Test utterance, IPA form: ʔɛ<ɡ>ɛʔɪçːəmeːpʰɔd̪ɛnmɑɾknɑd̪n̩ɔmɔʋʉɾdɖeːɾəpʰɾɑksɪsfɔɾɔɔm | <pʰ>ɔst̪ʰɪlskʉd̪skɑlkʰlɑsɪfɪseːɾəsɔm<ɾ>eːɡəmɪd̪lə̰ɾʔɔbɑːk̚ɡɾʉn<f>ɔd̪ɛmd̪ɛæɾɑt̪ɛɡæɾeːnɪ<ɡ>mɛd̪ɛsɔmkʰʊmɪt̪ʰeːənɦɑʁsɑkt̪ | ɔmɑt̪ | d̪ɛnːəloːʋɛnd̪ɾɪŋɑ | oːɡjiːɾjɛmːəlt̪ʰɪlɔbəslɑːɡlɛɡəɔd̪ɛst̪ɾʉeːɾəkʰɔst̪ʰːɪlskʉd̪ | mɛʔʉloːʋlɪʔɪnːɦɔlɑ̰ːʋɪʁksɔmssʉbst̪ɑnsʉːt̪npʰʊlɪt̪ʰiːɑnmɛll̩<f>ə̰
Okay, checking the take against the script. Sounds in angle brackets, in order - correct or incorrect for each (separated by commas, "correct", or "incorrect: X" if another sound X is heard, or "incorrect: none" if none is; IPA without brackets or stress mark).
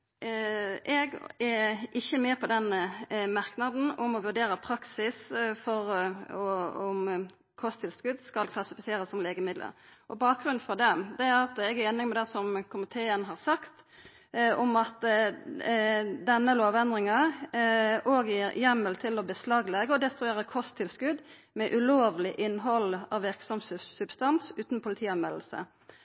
correct, incorrect: kʰ, incorrect: l, correct, incorrect: ŋ, incorrect: s